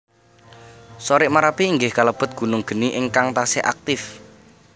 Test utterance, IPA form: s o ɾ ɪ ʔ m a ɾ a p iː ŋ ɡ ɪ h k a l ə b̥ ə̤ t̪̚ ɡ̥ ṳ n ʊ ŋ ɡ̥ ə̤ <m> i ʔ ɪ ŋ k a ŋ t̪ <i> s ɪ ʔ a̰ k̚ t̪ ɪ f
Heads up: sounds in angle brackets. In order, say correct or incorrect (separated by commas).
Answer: incorrect, incorrect